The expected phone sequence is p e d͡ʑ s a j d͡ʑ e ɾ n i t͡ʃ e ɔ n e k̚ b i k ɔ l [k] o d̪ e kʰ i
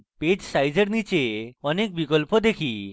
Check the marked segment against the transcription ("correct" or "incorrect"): incorrect